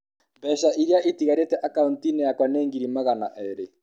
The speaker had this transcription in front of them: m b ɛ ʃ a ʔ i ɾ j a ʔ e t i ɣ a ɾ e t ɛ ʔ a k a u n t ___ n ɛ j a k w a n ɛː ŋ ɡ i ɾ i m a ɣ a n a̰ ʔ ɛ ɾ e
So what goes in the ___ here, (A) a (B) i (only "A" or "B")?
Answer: B